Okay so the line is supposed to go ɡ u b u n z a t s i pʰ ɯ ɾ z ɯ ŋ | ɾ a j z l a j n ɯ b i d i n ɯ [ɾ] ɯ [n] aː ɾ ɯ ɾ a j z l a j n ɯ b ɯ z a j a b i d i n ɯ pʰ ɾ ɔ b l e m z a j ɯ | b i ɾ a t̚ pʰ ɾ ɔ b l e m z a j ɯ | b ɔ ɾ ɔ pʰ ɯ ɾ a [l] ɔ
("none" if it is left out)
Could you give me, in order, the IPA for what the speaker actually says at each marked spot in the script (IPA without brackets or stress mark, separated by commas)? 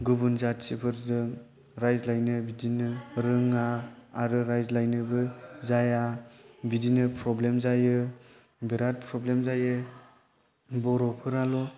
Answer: ɾ, ŋ, l